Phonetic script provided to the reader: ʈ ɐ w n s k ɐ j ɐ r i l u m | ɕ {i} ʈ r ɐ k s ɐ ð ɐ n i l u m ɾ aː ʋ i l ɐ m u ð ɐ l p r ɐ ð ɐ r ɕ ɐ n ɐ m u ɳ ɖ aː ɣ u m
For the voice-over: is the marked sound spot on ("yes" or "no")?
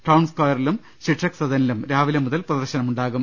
yes